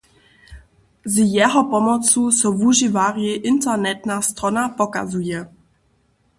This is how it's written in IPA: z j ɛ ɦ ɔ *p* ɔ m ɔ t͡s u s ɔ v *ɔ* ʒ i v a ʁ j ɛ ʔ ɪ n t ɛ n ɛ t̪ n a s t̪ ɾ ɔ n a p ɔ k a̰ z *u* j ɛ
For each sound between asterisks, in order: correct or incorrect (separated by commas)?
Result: correct, incorrect, correct